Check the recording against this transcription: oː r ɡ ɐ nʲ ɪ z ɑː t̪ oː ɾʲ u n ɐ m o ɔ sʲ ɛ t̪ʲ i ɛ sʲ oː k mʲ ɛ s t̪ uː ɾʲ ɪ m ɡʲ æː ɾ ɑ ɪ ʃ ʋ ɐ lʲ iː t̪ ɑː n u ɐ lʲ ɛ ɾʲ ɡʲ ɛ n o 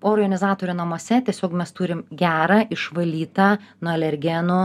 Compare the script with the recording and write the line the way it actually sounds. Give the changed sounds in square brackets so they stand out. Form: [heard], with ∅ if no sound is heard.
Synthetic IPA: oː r ɡ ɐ nʲ ɪ z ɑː t̪ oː ɾʲ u n ɐ m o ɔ sʲ ɛ t̪ʲ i ɛ sʲ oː k mʲ ɛ s t̪ uː ɾʲ ɪ m ɡʲ æː ɾ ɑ ɪ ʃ ʋ ɐ lʲ iː t̪ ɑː n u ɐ lʲ ɛ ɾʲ ɡʲ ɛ n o